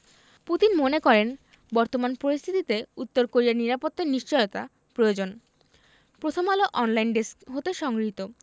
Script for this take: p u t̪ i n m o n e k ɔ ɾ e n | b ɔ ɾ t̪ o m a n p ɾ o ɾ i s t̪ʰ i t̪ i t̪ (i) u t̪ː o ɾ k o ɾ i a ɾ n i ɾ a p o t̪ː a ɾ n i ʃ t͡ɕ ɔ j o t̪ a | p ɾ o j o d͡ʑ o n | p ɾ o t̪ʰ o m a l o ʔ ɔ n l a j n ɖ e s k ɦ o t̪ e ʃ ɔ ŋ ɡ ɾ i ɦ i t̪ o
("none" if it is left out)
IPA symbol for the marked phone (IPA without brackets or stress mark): e